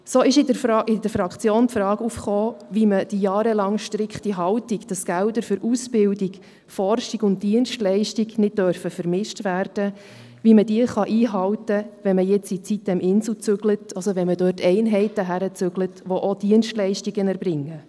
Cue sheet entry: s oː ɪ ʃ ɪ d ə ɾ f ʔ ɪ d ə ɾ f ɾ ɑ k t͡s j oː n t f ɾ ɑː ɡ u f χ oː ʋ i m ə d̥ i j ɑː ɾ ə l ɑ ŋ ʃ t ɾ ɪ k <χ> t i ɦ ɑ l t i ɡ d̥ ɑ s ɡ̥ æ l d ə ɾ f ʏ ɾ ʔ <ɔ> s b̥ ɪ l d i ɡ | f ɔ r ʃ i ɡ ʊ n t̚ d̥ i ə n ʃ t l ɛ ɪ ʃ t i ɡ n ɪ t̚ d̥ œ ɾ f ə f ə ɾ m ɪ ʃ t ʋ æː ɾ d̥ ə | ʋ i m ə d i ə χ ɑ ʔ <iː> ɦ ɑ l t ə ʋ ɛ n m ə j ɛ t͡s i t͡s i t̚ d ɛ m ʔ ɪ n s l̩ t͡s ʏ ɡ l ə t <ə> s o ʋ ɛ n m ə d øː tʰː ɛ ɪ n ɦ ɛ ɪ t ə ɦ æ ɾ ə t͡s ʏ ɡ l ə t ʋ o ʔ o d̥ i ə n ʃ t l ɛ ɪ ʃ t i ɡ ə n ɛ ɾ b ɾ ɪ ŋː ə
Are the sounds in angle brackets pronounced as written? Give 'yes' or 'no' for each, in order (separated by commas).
yes, no, yes, no